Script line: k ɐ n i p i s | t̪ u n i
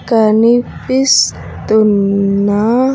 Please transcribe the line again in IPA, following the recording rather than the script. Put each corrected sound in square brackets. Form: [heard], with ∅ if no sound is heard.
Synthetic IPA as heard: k [a] n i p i s | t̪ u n [a]